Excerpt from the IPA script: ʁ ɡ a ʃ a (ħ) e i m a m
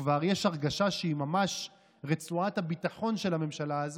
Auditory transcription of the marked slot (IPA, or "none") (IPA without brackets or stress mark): ʃ